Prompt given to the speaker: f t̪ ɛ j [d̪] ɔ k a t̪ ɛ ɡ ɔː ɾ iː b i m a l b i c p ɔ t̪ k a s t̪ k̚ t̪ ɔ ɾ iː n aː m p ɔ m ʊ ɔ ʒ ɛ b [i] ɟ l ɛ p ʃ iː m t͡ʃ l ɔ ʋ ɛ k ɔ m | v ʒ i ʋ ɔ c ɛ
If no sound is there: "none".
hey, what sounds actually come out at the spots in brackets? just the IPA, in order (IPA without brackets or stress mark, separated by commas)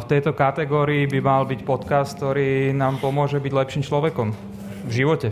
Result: t̪, i